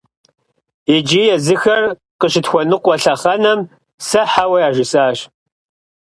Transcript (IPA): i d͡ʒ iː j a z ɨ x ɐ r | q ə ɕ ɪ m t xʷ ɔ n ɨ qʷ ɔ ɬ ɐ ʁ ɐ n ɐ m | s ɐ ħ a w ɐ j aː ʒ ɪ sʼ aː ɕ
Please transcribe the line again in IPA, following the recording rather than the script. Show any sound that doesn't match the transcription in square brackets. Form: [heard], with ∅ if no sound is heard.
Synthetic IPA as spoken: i d͡ʒ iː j [ɛ] z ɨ x ɐ r | q ə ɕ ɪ [∅] t xʷ ɔ n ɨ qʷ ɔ ɬ ɐ [χ] ɐ n ɐ m | s ɐ ħ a w ɐ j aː ʒ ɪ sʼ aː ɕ